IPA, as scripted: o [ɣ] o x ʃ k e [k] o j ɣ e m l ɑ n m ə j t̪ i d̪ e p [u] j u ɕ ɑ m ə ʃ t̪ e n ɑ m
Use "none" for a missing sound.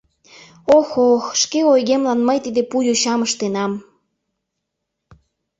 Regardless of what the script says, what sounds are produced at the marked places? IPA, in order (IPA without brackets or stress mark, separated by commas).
x, none, u